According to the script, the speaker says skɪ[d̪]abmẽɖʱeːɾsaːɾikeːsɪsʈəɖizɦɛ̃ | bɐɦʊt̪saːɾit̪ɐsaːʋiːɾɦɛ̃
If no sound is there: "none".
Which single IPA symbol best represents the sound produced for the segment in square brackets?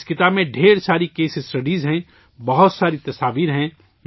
t̪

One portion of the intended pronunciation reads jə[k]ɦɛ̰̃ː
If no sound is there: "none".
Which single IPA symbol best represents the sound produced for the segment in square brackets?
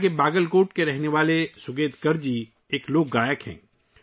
k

